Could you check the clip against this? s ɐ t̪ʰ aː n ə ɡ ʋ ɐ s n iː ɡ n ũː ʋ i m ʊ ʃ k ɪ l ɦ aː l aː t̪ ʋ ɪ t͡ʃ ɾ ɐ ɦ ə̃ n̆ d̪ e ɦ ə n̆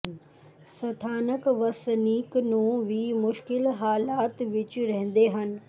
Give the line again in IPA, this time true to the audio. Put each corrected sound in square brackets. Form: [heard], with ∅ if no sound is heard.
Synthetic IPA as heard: s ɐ t̪ʰ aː n ə [k] ʋ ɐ s n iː [k] n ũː ʋ i m ʊ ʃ k ɪ l ɦ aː l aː t̪ ʋ ɪ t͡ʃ ɾ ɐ ɦ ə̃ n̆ d̪ e ɦ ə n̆

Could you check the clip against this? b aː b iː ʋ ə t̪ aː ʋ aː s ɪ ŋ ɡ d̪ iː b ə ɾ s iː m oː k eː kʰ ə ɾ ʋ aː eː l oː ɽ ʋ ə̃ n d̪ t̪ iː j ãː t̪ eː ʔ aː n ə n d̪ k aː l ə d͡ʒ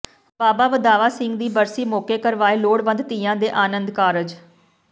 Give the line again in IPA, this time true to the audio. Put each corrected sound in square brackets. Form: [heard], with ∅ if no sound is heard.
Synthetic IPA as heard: b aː b [aː] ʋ ə [d̪] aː ʋ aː s ɪ ŋ ɡ d̪ iː b ə ɾ s iː m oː k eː [k] ə ɾ ʋ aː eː l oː ɽ ʋ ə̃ n d̪ t̪ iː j ãː [d̪] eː ʔ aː n ə n d̪ k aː [ɾ] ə d͡ʒ

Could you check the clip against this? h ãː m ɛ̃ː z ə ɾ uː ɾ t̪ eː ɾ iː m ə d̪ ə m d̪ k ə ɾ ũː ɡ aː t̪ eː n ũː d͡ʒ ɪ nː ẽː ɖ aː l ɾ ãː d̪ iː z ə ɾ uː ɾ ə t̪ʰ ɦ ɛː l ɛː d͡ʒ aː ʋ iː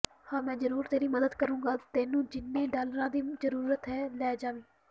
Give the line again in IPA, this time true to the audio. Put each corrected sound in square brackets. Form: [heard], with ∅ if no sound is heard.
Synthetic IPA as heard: h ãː m ɛ̃ː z ə ɾ uː ɾ t̪ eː ɾ iː m ə d̪ ə [∅] d̪ k ə ɾ ũː ɡ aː t̪ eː n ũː d͡ʒ ɪ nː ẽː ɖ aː l ɾ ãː d̪ iː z ə ɾ uː ɾ ə [t̪] ɦ ɛː l ɛː d͡ʒ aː ʋ iː

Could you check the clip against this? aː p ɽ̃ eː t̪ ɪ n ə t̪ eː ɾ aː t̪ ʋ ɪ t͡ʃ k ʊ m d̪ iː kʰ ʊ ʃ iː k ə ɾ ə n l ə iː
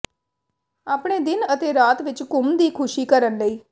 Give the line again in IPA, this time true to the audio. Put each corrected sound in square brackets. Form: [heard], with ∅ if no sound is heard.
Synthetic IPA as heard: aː p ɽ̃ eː [d̪] ɪ n ə t̪ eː ɾ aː t̪ ʋ ɪ t͡ʃ k ʊ m d̪ iː kʰ ʊ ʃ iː k ə ɾ ə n l ə iː

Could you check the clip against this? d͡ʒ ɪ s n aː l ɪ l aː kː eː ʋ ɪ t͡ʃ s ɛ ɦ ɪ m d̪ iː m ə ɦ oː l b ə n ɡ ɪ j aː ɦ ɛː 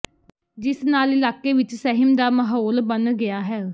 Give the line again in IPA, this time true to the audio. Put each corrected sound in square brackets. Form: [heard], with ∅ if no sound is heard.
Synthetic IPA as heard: d͡ʒ ɪ s n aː l ɪ l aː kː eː ʋ ɪ t͡ʃ s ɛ ɦ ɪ m d̪ [aː] m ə ɦ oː l b ə n ɡ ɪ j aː ɦ ɛː

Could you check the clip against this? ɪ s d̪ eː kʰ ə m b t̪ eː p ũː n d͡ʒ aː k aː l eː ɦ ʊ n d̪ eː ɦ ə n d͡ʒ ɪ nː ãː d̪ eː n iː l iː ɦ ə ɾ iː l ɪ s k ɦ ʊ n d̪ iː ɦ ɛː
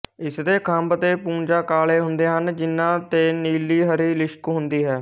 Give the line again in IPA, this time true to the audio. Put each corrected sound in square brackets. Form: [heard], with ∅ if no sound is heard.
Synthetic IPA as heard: ɪ s d̪ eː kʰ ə m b t̪ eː p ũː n d͡ʒ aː k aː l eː ɦ ʊ n d̪ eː ɦ ə n d͡ʒ ɪ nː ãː [t̪] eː n iː l iː ɦ ə ɾ iː l ɪ [ʃ] k ɦ ʊ n d̪ iː ɦ ɛː

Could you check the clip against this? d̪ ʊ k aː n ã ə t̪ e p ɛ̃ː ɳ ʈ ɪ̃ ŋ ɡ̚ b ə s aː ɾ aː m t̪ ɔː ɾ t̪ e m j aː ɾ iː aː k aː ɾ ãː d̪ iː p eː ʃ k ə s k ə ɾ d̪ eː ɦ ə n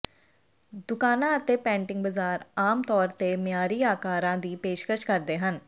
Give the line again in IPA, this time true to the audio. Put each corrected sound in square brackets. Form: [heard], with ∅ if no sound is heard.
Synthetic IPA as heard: d̪ ʊ k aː n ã ə t̪ e p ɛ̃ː ɳ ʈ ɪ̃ ŋ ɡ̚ b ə [z] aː ɾ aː m t̪ ɔː ɾ t̪ e m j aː ɾ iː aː k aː ɾ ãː d̪ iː p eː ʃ k ə [ʃ] k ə ɾ d̪ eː ɦ ə n

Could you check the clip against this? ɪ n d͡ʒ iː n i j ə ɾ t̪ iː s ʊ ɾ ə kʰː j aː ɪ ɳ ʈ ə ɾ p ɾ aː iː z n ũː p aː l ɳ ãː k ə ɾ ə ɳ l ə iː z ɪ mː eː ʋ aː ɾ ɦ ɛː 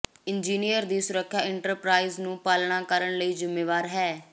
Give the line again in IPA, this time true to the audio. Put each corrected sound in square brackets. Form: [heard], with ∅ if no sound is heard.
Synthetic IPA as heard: ɪ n d͡ʒ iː n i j ə ɾ [d̪] iː s ʊ ɾ ə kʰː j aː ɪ ɳ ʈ ə ɾ p ɾ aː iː z n ũː p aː l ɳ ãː k ə ɾ ə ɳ l ə iː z ɪ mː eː ʋ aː ɾ ɦ ɛː

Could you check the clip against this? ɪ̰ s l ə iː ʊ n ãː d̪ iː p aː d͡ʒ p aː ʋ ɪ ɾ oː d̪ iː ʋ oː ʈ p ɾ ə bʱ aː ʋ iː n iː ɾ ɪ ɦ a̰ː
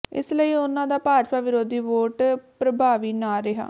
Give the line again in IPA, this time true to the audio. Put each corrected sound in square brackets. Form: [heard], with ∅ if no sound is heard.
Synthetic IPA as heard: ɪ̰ s l ə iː ʊ n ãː d̪ [aː] p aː d͡ʒ p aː ʋ ɪ ɾ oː d̪ iː ʋ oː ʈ p ɾ ə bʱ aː ʋ iː n [aː] ɾ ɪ ɦ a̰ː

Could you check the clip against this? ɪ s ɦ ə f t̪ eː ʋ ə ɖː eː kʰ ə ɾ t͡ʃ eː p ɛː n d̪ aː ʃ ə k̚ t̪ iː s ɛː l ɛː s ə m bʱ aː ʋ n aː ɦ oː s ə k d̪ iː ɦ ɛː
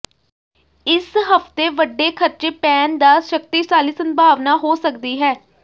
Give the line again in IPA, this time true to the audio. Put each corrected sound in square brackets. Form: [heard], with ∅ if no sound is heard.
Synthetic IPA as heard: ɪ s ɦ ə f t̪ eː ʋ ə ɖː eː kʰ ə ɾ t͡ʃ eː p ɛː n d̪ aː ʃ ə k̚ t̪ iː s [aː] l [iː] s ə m bʱ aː ʋ n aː ɦ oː s ə k d̪ iː ɦ ɛː

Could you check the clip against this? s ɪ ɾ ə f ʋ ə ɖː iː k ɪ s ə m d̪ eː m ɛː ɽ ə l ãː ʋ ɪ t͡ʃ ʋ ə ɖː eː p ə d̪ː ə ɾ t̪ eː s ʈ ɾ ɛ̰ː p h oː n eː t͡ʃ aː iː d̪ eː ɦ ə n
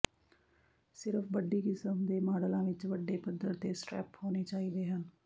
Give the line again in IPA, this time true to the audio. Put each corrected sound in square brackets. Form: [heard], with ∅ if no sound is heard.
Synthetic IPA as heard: s ɪ ɾ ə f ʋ ə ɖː iː k ɪ s ə m d̪ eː m [aː] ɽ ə l ãː ʋ ɪ t͡ʃ ʋ ə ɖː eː p ə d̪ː ə ɾ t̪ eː s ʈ ɾ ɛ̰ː p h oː n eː t͡ʃ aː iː d̪ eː ɦ ə n

